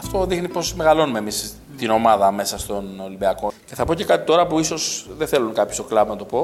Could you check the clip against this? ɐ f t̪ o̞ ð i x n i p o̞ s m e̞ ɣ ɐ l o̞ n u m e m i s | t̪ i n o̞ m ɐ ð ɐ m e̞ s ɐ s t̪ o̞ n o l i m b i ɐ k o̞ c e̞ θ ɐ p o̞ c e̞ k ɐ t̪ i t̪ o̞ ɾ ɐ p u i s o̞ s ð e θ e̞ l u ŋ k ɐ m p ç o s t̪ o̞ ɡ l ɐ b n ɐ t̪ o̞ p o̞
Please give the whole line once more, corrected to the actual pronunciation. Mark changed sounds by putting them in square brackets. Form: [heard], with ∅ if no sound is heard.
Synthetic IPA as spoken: ɐ f t̪ o̞ ð i x n i p o̞ s m e̞ ɣ ɐ l o̞ n u m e m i s | t̪ i n o̞ m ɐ ð ɐ m e̞ s ɐ s t̪ o̞ n o l i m b i ɐ k o̞ c e̞ θ ɐ p o̞ c e̞ k ɐ t̪ i t̪ o̞ ɾ ɐ p u i s o̞ s ð e θ e̞ l u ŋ k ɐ [∅] p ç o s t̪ o̞ [k] l ɐ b n ɐ t̪ o̞ p o̞